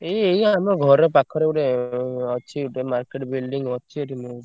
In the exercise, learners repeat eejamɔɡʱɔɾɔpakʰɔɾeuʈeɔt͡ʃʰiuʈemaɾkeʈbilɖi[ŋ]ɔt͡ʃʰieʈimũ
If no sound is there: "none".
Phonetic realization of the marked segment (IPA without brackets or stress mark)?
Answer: ŋ